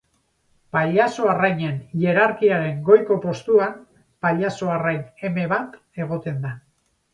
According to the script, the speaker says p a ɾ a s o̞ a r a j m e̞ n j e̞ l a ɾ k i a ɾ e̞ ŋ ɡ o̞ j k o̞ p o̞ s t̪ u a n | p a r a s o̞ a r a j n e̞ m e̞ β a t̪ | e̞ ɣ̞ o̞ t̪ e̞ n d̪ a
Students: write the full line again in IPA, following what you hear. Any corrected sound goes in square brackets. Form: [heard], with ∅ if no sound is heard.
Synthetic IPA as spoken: p a [ʎ] a s o̞ a r a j [ɲ] e̞ n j e̞ [ɾ] a ɾ k i a ɾ e̞ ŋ ɡ o̞ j k o̞ p o̞ s t̪ u a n | p a [ʎ] a s o̞ a r a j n e̞ m e̞ β a t̪ | e̞ ɣ̞ o̞ t̪ e̞ n d̪ a